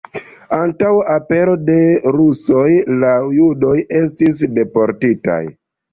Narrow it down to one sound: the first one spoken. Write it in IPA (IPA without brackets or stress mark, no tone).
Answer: a